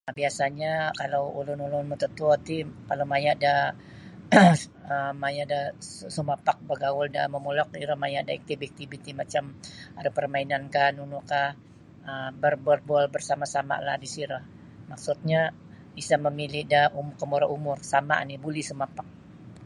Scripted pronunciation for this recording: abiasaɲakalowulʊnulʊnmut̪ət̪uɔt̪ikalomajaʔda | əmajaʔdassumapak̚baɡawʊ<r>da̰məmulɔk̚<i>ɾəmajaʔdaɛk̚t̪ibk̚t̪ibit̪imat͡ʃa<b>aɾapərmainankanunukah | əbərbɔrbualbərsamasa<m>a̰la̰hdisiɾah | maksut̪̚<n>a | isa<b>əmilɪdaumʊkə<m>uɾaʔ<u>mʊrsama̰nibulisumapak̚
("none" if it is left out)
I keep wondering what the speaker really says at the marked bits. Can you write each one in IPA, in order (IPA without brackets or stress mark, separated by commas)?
l, i, m, m, ɲ, m, m, u